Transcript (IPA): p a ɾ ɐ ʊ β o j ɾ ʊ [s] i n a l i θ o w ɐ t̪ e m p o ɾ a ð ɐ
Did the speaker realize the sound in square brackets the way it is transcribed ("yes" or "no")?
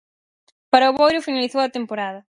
no